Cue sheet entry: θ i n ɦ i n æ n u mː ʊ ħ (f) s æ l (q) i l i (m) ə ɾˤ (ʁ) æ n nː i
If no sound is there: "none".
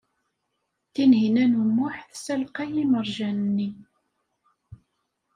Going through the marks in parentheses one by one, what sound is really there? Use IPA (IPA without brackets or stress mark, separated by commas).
θ, q, m, ʒ